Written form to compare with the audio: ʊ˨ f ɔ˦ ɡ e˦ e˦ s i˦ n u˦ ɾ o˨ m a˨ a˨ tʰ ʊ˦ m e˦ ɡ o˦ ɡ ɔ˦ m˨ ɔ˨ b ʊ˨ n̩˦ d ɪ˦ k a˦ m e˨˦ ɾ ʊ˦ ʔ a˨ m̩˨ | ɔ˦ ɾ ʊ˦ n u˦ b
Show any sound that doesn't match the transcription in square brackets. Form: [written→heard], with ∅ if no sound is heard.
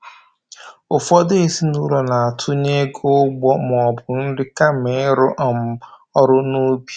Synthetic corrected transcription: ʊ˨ f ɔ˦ [ɡ→d] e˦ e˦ s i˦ n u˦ ɾ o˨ [m→n] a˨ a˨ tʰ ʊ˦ [m→ɲ] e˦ ɡ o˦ [ɡ→ɡ͡b] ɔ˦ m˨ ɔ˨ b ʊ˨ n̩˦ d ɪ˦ k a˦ m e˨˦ ɾ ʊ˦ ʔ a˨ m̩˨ | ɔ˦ ɾ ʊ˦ n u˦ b

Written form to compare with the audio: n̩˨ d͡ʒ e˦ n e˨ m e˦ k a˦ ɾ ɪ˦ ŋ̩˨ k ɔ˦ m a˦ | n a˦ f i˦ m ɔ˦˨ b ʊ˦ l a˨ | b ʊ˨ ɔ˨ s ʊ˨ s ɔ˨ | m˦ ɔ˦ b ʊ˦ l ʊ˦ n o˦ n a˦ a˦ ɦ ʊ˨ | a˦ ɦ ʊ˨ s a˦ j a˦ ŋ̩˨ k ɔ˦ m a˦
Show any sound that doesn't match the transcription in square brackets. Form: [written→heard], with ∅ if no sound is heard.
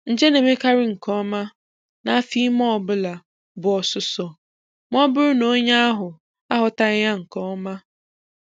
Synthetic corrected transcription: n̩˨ d͡ʒ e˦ n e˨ m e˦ k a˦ ɾ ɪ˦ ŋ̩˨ k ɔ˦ m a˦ | n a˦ f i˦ m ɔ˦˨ b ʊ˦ l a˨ | b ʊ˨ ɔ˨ s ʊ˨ s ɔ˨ | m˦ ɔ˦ b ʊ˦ [l→ɾ] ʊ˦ n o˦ [n→ɲ] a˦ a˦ ɦ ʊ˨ | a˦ ɦ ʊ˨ [s→t] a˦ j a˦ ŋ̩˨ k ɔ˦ m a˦

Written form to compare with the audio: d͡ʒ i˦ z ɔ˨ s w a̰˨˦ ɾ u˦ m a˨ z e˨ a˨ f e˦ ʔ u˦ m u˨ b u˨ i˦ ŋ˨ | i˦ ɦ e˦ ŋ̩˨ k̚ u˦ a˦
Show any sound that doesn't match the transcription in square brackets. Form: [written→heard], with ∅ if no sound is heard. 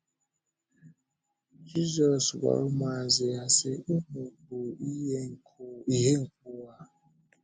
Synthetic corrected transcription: d͡ʒ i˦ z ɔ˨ s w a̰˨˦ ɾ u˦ m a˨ z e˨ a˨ [f→s] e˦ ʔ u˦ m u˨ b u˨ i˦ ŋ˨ | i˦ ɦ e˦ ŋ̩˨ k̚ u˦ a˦

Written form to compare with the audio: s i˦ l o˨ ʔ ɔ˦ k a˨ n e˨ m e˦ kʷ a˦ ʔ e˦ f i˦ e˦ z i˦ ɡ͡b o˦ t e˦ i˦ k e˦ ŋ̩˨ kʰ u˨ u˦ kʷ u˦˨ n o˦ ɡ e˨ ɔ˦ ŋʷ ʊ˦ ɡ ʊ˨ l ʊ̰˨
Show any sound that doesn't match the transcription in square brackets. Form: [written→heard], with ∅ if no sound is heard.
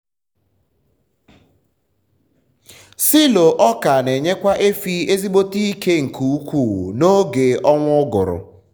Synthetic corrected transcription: s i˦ l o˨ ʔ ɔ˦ k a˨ n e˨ [m→ɲ] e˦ kʷ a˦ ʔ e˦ f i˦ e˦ z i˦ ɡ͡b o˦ t [e˦→i˦] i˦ k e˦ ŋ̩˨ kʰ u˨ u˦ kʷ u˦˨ n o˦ ɡ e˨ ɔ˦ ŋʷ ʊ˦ ɡ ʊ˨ [l→ɾ] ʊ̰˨

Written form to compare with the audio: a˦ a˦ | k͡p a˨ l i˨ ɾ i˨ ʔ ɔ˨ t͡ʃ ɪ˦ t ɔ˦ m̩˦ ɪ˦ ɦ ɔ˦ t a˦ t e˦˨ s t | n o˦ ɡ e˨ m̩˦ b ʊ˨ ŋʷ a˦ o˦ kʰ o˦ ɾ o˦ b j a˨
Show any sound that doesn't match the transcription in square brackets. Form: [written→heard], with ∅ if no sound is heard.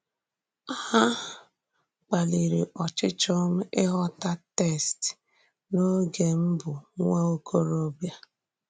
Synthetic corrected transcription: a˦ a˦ | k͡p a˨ l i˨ ɾ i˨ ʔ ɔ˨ t͡ʃ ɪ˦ [t→t͡ʃ] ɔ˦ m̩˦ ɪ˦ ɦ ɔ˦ t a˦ t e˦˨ s t | n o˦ ɡ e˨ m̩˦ b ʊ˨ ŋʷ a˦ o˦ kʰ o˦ ɾ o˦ b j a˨

